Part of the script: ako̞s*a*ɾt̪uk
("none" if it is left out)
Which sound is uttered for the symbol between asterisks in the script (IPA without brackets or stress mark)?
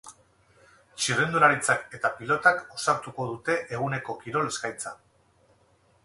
a